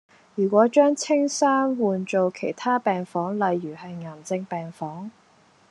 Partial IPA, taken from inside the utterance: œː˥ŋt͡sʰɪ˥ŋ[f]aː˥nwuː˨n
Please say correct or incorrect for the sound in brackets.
incorrect: s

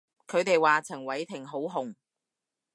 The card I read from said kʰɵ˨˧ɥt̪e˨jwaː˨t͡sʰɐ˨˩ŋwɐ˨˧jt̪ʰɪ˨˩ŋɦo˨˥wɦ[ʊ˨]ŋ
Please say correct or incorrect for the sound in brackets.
correct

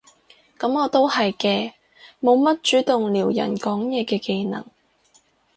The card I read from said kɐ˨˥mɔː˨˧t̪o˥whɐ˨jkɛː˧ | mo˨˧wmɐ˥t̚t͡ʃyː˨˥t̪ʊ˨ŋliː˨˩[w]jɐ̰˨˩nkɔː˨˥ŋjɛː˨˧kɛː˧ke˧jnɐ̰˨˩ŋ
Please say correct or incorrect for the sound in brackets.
correct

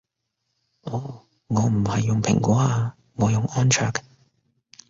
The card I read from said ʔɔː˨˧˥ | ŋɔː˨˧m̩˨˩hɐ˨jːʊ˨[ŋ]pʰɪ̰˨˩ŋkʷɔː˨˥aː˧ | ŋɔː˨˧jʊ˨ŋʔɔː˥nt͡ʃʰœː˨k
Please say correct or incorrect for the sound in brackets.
correct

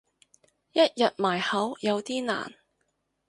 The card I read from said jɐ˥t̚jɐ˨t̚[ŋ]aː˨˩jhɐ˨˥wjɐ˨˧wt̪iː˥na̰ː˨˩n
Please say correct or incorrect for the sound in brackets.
incorrect: m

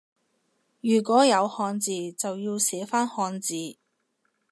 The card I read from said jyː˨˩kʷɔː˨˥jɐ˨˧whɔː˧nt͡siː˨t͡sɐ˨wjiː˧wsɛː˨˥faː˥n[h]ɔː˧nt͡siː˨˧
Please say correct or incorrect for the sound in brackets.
correct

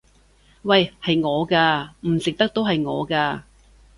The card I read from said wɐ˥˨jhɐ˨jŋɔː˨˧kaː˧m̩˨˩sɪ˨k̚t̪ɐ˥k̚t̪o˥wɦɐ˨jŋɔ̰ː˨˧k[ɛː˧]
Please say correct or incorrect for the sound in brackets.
incorrect: aː˧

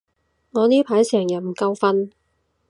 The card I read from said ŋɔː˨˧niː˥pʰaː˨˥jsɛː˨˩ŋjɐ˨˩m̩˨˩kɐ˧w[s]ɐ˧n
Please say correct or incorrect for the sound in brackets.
incorrect: f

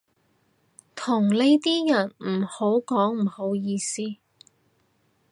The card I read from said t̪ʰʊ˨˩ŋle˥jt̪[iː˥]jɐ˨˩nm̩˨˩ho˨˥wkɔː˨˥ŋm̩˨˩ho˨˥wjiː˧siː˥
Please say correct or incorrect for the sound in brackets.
correct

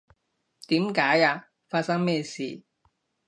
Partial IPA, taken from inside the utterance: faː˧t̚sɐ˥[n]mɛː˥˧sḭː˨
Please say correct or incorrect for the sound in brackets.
incorrect: ŋ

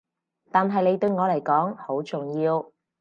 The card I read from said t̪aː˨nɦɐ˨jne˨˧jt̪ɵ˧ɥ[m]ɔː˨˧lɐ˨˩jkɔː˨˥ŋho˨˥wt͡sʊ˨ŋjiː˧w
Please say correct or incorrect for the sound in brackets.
incorrect: ŋ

